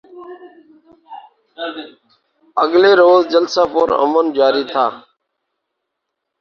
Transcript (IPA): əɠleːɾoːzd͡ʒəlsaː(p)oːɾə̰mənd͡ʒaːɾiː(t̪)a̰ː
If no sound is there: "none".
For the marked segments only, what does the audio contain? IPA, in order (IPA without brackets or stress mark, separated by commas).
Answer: p, t̪ʰ